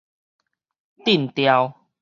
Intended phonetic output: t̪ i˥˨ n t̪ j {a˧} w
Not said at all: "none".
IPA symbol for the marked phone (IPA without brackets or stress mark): a˧